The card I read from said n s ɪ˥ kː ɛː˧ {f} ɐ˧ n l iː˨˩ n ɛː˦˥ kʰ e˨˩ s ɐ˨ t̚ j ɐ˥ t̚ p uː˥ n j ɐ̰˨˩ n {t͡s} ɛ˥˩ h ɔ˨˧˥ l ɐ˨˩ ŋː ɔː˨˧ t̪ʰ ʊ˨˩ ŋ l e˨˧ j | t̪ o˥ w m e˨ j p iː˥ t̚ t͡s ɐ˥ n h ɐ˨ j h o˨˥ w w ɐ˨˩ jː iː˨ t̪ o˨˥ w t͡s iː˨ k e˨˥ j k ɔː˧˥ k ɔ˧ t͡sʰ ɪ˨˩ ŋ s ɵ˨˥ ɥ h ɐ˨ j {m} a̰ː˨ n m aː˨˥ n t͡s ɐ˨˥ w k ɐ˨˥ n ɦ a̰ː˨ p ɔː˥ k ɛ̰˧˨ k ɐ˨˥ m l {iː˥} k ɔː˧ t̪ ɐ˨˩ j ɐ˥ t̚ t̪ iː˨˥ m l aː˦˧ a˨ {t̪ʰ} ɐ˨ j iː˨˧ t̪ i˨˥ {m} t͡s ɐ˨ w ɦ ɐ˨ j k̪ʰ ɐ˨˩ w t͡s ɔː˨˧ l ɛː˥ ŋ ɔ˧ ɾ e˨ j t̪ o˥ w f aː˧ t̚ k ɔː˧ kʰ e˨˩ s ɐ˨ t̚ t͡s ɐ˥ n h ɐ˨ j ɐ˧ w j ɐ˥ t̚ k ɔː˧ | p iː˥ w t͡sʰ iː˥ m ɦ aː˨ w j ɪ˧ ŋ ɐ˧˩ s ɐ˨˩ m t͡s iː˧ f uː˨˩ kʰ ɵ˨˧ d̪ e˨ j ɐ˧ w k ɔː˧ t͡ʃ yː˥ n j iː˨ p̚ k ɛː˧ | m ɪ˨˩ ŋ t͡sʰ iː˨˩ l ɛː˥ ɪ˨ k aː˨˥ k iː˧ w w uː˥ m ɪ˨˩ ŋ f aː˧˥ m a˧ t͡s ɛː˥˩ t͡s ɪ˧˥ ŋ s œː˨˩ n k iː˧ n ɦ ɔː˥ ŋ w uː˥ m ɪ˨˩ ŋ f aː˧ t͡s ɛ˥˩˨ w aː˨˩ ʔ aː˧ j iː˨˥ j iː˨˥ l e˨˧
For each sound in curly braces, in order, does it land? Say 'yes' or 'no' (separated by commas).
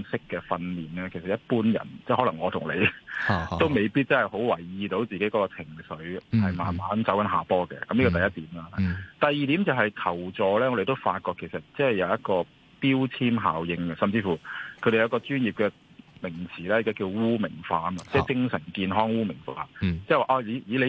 yes, yes, yes, no, no, yes